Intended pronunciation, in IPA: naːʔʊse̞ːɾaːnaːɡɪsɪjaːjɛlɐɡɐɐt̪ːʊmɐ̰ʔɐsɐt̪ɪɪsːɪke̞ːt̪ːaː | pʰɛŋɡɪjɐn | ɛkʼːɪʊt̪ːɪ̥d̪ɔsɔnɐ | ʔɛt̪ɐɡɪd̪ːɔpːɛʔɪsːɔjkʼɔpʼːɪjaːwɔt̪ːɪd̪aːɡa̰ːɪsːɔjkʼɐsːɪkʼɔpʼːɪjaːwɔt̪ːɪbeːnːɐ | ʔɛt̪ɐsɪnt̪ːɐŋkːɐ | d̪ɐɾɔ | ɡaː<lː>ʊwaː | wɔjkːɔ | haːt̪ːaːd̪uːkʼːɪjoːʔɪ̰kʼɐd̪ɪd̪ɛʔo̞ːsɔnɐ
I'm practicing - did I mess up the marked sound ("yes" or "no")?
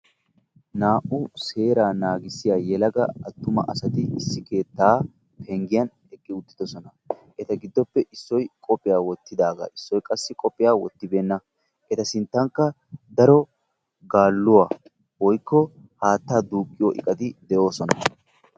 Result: no